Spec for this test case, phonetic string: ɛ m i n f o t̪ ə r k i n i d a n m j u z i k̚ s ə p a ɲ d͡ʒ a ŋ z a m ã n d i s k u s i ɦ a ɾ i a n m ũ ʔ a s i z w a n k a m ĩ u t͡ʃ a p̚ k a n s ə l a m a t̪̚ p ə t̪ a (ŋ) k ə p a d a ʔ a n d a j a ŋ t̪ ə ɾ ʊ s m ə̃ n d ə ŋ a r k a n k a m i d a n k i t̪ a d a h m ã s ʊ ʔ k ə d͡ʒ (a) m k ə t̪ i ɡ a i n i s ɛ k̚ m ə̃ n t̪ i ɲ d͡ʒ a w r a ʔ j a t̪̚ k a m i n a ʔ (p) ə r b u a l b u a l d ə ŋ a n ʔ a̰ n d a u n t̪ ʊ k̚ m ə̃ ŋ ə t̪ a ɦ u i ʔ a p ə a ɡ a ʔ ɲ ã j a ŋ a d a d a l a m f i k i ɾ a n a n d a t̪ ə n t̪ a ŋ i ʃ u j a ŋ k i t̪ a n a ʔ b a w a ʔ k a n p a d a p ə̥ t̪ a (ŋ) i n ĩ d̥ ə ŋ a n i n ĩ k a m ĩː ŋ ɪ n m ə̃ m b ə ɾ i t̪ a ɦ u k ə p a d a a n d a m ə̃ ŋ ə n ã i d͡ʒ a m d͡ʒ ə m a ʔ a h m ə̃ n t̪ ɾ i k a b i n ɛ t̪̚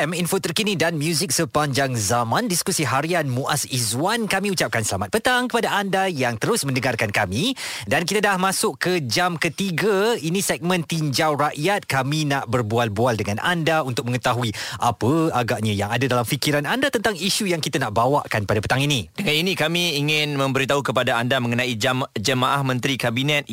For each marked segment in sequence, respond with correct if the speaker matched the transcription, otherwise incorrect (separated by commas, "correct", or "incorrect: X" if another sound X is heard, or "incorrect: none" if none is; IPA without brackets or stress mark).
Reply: correct, correct, incorrect: b, correct